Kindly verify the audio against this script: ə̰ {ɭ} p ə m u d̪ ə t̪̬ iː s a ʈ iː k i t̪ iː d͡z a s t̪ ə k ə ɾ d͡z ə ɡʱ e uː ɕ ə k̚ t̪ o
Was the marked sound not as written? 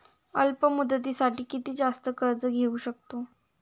yes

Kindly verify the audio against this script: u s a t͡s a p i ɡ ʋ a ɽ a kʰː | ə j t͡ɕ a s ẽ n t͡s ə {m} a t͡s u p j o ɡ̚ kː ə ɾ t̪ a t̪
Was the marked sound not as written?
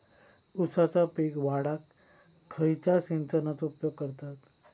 yes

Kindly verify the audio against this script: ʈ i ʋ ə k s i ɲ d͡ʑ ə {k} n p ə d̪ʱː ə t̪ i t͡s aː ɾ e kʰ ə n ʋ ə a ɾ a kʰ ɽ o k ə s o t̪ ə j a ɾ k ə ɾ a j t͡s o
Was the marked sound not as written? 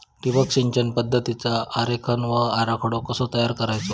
yes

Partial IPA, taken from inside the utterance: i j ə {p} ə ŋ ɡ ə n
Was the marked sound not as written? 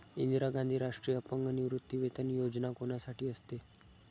no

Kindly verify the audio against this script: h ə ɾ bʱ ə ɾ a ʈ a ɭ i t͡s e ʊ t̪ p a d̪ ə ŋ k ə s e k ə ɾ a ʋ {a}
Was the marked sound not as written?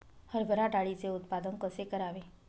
yes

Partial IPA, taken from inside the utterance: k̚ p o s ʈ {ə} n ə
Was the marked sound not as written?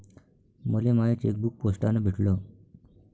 yes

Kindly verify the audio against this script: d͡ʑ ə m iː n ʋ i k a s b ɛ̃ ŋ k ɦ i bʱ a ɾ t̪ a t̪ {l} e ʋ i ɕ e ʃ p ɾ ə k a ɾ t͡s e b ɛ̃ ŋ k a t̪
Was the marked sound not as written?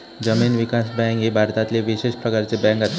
no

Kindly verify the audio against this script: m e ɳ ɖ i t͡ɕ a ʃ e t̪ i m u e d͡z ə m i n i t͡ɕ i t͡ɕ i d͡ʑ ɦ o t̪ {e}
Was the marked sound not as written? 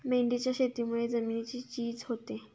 no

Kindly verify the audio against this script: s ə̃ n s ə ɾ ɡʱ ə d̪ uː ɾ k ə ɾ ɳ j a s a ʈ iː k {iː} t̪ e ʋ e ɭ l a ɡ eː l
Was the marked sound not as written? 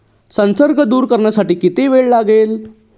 yes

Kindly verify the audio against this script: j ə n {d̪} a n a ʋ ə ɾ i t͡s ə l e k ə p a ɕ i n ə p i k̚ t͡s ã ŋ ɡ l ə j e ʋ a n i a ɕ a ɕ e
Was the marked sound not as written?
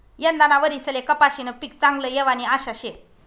no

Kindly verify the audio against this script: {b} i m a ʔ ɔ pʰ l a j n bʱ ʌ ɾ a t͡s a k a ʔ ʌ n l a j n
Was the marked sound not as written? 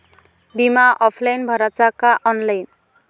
no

